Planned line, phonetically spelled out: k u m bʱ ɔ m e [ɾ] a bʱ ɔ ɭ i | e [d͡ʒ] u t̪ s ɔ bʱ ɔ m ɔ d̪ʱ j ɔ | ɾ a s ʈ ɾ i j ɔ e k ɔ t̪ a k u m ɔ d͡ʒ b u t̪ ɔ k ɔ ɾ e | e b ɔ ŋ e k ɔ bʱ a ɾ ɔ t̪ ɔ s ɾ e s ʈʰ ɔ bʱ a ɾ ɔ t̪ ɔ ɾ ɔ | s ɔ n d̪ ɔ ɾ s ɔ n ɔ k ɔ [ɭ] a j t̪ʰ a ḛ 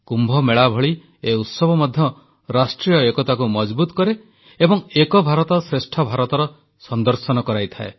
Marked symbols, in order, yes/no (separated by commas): no, no, no